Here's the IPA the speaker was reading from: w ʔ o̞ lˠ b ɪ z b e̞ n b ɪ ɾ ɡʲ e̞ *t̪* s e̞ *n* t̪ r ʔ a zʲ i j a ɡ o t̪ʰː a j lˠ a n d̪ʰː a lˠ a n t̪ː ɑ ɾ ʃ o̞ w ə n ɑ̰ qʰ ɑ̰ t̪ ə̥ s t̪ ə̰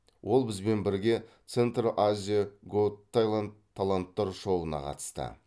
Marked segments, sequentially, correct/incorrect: correct, correct

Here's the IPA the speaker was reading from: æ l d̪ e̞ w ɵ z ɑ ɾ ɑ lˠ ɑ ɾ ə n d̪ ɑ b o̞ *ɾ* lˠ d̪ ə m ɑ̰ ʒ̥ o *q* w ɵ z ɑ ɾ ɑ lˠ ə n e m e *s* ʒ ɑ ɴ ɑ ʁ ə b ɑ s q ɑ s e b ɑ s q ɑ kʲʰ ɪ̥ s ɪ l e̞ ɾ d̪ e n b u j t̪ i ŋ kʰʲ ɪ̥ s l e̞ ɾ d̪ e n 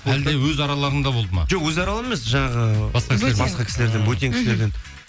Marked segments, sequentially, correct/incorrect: incorrect: none, correct, correct

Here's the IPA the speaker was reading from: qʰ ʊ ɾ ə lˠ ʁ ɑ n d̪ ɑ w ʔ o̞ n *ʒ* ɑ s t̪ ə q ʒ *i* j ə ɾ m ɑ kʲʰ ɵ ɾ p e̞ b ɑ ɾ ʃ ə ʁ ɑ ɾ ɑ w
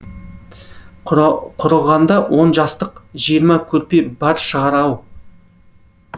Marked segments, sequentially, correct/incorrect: correct, correct

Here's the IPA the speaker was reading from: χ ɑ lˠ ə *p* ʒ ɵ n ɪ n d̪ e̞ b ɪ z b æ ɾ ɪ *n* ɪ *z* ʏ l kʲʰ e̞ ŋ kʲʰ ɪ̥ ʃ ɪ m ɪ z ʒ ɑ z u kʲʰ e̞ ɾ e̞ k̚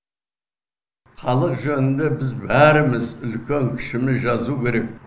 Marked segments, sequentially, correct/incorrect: incorrect: q, incorrect: m, correct

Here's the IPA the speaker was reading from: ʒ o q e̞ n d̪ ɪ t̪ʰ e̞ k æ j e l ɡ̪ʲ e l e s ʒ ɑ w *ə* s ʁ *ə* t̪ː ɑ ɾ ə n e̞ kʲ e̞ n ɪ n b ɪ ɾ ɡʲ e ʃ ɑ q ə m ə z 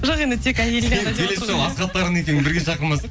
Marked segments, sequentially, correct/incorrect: incorrect: ɑ, incorrect: ɑ

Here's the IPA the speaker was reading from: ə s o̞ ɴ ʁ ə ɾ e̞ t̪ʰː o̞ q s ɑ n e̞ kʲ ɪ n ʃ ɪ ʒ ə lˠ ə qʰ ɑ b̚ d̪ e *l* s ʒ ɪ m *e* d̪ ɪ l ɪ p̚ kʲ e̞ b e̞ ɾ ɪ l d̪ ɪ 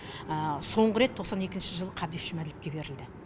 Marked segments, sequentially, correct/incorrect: incorrect: none, incorrect: æ

